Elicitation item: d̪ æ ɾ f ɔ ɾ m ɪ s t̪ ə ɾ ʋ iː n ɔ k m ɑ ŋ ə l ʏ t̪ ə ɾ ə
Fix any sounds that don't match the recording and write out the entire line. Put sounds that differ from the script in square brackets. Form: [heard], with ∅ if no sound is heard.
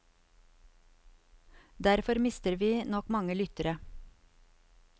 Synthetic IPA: d̪ æ ɾ f ɔ ɾ m ɪ s t̪ ə ɾ ʋ iː n ɔ k m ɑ ŋ ə l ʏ t̪ ə ɾ ə